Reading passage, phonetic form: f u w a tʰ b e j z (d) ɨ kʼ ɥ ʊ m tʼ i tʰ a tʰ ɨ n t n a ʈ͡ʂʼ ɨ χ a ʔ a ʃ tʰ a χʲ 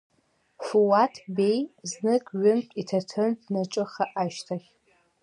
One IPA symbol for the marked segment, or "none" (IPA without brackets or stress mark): n